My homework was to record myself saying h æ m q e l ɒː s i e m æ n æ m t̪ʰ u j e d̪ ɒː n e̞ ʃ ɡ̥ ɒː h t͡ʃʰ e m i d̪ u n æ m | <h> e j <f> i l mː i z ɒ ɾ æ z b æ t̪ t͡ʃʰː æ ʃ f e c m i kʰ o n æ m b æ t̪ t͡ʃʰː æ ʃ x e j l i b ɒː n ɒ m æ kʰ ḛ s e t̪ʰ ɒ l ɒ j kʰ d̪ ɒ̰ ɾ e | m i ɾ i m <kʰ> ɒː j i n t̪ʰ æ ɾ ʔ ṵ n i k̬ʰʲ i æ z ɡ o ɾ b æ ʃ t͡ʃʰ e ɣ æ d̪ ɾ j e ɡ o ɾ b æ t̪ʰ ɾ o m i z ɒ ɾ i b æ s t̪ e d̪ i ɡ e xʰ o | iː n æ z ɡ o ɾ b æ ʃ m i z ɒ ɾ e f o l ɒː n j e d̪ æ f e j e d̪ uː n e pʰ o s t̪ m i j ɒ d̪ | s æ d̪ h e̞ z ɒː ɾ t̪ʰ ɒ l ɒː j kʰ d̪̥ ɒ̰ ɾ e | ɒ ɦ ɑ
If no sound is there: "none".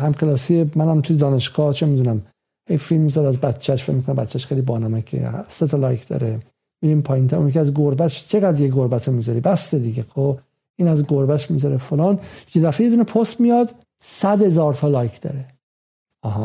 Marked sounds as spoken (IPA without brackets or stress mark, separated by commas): h, f, pʰ